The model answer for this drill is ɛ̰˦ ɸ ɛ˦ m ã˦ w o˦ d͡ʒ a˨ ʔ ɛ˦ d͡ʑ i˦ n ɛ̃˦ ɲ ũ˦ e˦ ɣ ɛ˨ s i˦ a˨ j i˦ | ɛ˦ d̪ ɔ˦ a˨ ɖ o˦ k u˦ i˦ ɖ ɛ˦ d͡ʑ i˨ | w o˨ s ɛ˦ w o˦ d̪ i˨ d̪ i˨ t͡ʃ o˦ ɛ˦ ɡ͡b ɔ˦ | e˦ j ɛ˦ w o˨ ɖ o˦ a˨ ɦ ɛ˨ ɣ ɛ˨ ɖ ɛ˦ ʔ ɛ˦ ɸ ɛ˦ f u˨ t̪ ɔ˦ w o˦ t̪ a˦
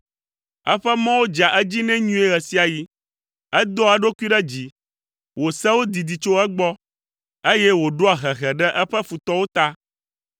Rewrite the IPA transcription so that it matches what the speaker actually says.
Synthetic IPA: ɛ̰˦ ɸ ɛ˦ m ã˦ w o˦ d͡ʒ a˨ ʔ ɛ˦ d͡ʑ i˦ n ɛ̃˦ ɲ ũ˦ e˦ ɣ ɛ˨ s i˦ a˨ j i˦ | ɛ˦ d̪ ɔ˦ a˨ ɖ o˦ k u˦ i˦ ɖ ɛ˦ d͡ʑ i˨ | w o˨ s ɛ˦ w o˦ d̪ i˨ d̪ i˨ t͡ʃ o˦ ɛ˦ ɡ͡b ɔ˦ | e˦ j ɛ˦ w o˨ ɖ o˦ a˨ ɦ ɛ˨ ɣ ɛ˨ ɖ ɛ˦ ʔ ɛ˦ ɸ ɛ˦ f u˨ t̪ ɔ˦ w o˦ t̪ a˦